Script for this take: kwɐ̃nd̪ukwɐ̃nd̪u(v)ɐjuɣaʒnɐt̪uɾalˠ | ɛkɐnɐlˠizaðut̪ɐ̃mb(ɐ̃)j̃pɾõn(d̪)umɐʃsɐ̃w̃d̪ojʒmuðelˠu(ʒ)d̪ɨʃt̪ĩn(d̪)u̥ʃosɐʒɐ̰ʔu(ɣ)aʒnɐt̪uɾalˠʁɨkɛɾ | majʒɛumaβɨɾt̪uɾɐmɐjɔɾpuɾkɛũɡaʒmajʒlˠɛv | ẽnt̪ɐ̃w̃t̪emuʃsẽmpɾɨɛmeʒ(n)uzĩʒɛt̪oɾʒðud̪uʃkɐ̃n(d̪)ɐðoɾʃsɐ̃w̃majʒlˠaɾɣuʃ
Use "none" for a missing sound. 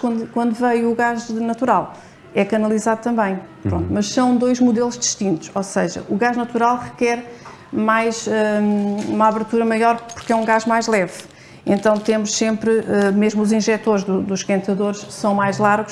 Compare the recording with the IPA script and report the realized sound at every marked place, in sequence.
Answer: v, ɐ̃, t̪, ʒ, t̪, ɣ, m, t̪

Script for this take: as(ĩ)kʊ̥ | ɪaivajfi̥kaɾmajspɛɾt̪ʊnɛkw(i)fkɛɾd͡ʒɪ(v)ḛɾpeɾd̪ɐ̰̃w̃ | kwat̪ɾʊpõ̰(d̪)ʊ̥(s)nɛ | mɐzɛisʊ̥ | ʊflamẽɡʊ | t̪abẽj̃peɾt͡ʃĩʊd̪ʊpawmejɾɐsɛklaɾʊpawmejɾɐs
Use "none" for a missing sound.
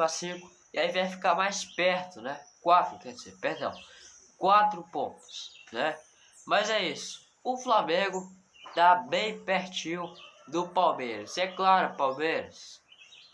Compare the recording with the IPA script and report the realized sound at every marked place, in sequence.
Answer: ĩ, a, z, t̪, s

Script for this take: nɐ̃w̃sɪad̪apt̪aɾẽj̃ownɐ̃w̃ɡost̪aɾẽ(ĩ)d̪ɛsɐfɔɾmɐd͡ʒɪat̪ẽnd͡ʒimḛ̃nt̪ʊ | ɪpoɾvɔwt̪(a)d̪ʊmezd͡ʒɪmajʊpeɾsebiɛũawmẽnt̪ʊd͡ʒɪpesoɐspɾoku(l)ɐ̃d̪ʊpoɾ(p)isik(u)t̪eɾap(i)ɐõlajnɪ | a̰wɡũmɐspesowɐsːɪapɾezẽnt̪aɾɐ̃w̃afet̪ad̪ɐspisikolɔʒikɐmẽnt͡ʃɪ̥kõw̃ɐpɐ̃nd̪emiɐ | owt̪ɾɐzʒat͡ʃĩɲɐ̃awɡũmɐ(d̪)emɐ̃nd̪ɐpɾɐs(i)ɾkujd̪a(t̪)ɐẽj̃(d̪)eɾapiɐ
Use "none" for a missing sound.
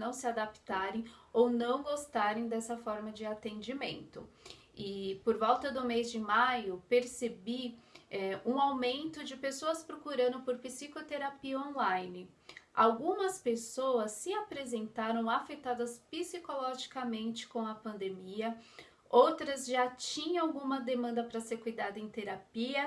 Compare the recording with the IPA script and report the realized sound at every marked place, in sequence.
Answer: j̃, ɐ, ɾ, p, o, i, d̪, e, d̪, t̪

